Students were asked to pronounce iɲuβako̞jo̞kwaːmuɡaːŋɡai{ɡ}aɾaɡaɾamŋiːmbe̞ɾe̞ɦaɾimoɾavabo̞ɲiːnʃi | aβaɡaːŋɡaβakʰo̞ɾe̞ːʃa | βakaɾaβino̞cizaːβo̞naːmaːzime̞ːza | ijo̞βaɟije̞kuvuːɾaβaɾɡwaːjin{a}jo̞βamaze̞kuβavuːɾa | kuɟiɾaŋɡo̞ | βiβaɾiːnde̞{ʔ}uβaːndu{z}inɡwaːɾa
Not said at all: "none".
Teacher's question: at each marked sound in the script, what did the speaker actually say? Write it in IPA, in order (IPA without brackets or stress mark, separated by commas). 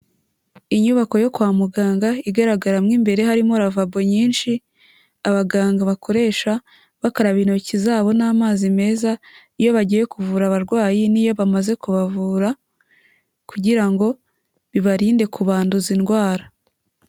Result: ɡ, i, k, z